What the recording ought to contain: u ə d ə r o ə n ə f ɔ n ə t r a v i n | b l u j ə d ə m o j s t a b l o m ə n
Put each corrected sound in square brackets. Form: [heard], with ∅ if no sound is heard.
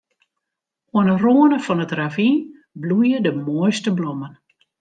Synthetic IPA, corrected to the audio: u ə [n] ə r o ə n ə f ɔ n ə t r a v i n | b l u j ə d ə m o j s t [ə] b l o m ə n